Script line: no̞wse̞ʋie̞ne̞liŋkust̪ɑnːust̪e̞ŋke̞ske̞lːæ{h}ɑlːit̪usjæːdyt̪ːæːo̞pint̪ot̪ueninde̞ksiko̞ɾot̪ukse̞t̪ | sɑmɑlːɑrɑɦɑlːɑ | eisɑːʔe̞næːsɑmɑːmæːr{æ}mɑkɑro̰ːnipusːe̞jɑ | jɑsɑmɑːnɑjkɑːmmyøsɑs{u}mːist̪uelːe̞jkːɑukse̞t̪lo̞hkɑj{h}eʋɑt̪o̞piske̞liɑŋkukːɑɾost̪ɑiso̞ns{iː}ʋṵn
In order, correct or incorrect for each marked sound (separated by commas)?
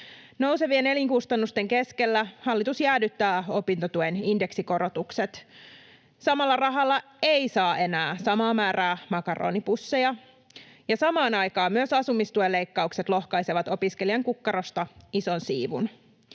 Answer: correct, incorrect, correct, incorrect, correct